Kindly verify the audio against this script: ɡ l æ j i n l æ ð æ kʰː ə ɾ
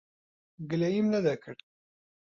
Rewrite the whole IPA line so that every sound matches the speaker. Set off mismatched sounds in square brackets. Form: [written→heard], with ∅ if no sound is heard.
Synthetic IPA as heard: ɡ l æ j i [n→m] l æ ð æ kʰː ə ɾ